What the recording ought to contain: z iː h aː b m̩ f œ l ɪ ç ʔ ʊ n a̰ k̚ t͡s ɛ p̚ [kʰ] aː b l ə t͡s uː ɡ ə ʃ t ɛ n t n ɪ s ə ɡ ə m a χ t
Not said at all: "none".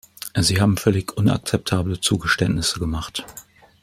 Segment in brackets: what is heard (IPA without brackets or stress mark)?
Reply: tʰ